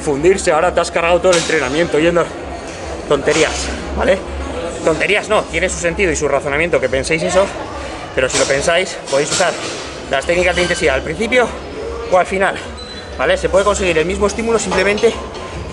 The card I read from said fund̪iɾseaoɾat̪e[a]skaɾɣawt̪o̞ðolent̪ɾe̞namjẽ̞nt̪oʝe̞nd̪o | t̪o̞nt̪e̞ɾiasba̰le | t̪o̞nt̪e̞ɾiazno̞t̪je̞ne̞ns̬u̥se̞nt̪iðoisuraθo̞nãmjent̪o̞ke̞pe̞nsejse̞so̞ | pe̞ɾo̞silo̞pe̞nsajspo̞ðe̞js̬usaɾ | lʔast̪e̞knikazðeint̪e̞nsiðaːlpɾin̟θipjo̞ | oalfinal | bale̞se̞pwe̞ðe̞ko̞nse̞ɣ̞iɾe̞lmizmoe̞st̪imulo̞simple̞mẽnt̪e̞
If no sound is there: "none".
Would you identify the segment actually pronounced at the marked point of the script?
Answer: a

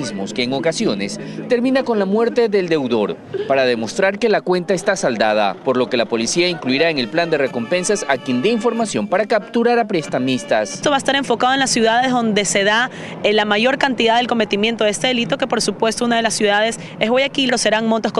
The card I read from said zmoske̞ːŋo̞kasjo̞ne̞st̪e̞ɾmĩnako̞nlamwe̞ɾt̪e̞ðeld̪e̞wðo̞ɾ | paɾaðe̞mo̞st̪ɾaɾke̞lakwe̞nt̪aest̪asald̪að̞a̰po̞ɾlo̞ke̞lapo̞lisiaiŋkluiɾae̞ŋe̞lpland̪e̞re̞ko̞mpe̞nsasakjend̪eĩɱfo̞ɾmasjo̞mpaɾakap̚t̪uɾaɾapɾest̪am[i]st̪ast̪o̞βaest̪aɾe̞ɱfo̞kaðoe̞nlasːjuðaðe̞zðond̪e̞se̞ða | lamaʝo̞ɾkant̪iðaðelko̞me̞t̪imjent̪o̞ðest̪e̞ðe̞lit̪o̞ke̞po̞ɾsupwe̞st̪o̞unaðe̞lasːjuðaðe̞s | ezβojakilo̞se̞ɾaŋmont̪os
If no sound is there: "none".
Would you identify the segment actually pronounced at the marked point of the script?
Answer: i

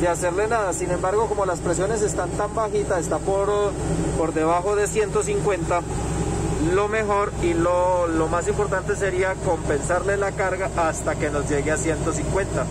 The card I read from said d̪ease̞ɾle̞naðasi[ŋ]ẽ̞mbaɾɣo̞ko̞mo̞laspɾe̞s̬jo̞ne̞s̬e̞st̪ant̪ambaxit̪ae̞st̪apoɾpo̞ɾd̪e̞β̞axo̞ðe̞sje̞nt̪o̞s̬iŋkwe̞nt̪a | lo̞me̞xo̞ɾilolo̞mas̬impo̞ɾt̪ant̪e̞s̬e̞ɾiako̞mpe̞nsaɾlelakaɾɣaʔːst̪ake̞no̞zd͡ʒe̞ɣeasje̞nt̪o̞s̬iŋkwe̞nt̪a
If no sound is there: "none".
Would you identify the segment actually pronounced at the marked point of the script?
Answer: n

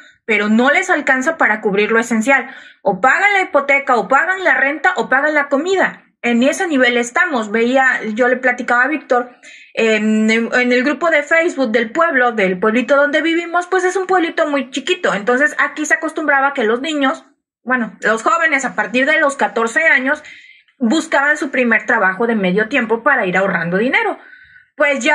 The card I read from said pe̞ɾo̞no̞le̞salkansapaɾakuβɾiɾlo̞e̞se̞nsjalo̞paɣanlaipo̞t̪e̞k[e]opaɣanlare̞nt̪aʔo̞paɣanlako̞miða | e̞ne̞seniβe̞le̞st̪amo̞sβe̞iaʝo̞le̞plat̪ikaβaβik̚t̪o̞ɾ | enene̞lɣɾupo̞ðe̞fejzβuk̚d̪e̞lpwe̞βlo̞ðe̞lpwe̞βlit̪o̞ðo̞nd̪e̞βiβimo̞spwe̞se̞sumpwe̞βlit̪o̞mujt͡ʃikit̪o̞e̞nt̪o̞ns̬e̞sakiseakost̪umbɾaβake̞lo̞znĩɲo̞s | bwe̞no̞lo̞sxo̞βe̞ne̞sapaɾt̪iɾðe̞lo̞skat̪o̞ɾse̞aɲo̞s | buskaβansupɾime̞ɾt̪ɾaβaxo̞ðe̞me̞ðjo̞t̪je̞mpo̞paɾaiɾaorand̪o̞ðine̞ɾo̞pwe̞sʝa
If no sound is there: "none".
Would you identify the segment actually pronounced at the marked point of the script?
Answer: a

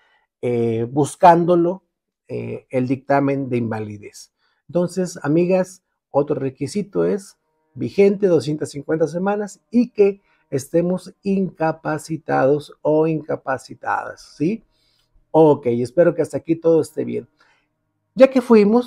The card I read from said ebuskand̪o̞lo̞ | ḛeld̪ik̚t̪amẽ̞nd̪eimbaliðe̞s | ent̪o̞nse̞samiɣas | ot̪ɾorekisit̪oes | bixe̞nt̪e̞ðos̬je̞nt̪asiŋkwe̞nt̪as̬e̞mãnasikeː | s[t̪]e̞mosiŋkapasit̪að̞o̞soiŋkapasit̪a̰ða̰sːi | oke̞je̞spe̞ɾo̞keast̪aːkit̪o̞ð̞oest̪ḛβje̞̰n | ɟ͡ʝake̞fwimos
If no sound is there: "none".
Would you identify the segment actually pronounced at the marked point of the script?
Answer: t̪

